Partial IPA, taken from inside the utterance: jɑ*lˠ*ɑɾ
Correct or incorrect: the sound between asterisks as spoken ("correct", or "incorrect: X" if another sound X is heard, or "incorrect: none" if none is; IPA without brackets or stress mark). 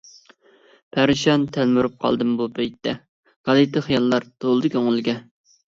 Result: incorrect: lˠː